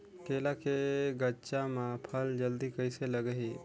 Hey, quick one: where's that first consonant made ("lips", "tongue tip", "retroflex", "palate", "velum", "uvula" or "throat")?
velum